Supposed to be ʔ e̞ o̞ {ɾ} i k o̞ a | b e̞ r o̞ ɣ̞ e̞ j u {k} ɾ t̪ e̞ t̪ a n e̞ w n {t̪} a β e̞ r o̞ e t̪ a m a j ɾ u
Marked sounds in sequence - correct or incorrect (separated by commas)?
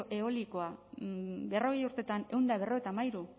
incorrect, incorrect, incorrect